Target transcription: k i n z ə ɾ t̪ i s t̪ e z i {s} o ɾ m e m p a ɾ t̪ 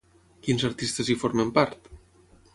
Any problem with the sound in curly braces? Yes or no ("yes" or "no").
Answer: yes